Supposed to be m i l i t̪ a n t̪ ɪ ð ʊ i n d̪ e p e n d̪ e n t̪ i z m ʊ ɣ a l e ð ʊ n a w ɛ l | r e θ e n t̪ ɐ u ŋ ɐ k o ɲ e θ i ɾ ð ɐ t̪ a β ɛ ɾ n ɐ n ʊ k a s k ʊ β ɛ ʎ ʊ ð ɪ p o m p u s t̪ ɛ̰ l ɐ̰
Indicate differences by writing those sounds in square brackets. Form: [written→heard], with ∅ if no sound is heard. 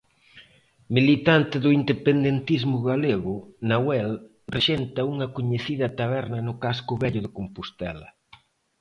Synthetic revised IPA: m i l i t̪ a n t̪ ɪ ð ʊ i n d̪ e p e n d̪ e n t̪ i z m ʊ ɣ a l e [ð→ɣ] ʊ n a w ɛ l | r e [θ→ʃ] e n t̪ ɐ u ŋ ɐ k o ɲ e θ i [ɾ→∅] ð ɐ t̪ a β ɛ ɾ n ɐ n ʊ k a s k ʊ β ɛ ʎ ʊ ð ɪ [p→k] o m p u s t̪ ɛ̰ l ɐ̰